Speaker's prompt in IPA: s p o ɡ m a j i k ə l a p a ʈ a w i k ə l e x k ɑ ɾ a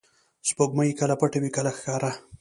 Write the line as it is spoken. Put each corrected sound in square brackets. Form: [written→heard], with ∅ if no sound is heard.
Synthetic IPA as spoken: s p o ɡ m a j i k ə l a p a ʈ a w i k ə l [e→a] x k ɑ ɾ a